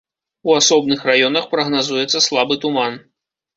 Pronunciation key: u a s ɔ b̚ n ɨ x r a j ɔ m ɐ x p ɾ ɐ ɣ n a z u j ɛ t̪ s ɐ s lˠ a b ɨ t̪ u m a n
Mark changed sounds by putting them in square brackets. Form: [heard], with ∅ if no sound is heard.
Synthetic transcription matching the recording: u a s ɔ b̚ n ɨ x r a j ɔ [n] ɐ x p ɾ ɐ ɣ n a z u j ɛ t̪ s ɐ s lˠ a b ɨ t̪ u m a n